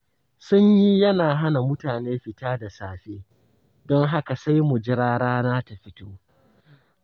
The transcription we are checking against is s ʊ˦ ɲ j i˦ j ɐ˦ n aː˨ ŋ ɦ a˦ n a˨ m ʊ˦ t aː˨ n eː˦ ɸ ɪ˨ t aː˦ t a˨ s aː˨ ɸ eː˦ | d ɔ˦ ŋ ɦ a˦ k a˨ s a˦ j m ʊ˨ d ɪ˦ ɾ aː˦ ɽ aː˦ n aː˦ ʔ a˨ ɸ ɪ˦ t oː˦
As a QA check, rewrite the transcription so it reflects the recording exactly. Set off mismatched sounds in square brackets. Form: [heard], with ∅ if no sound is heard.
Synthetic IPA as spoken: s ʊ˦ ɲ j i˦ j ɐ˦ n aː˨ [∅] ɦ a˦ n a˨ m ʊ˦ t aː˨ n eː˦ ɸ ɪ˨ t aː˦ [d] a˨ s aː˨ ɸ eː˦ | d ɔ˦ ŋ ɦ a˦ k a˨ s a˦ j m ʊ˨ [d͡ʒ] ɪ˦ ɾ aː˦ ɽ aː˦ n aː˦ [t] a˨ ɸ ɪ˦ t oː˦